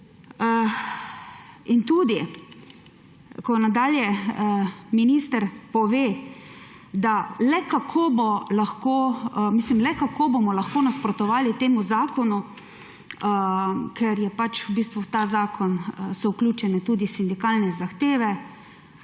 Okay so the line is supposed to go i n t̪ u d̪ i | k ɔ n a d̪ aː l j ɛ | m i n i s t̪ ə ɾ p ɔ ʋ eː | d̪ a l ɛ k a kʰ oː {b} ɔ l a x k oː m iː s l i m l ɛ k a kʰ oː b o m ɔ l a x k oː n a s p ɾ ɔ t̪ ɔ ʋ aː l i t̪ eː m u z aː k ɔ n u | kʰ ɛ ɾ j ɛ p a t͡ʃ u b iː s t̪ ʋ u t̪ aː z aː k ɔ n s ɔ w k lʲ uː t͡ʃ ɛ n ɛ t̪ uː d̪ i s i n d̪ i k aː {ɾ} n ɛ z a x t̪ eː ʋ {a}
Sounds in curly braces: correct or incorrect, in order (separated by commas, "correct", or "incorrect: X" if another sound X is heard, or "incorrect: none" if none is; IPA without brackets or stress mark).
correct, incorrect: l, incorrect: ɛ